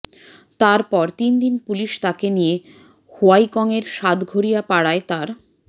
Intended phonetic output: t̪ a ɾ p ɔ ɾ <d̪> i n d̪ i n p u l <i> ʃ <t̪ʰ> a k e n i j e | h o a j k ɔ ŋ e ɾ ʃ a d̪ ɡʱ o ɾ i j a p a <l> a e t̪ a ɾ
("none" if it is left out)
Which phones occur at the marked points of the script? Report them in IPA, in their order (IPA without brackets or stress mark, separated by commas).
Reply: t̪, i, t̪, ɽ